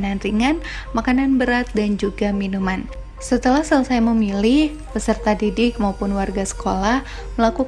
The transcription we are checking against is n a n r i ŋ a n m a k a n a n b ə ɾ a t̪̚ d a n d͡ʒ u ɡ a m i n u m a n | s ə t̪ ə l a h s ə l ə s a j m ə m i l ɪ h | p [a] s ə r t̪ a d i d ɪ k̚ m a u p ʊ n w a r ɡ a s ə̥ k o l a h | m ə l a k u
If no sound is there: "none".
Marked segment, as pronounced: ə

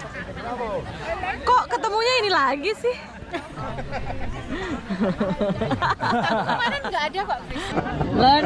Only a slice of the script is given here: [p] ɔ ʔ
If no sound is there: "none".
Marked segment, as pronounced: k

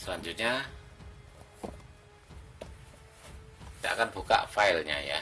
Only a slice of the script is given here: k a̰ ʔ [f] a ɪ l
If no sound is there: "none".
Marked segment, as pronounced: f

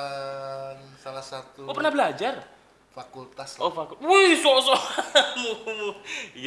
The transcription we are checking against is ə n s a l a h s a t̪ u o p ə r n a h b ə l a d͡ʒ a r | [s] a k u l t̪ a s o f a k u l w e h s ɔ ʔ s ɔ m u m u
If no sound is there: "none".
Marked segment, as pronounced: f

